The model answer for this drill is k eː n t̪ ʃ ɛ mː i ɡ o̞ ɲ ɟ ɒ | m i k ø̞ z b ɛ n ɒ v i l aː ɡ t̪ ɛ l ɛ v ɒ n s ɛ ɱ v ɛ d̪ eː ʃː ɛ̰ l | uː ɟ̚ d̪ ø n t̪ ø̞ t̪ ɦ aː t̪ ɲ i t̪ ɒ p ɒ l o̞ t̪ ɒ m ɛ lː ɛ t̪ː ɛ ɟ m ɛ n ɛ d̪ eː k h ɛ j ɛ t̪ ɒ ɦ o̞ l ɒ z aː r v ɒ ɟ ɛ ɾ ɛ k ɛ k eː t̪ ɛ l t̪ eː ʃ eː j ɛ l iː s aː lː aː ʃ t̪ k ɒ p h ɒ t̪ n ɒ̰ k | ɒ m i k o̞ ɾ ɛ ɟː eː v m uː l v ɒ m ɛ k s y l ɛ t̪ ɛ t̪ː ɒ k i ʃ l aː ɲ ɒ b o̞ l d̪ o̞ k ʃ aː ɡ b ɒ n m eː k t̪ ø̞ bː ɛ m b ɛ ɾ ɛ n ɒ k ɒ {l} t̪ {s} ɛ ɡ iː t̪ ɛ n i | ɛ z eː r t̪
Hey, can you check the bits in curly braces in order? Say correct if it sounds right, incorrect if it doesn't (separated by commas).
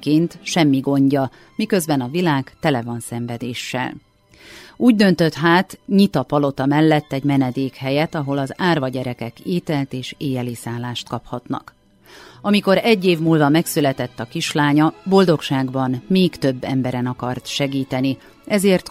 incorrect, incorrect